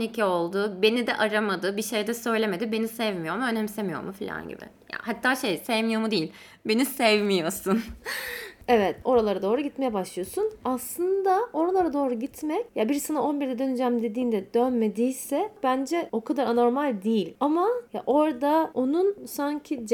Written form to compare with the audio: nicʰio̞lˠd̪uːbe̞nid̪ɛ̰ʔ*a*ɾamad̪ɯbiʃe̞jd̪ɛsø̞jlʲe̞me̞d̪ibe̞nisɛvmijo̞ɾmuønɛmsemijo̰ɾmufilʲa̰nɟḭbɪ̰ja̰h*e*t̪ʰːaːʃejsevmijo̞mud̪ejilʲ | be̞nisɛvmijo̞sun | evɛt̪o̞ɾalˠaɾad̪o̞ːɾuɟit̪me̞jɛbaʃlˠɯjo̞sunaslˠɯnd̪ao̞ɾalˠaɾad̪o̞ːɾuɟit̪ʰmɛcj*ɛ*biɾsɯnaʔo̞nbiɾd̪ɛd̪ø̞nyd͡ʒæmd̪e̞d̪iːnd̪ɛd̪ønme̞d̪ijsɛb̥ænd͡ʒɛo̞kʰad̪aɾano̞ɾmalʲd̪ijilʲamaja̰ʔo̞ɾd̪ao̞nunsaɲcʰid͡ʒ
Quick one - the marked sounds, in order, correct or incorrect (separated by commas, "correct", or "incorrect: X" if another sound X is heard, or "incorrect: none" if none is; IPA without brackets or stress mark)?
correct, incorrect: a, incorrect: a